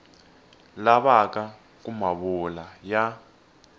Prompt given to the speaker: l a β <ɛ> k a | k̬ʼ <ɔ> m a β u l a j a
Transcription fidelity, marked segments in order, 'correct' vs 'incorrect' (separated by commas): incorrect, incorrect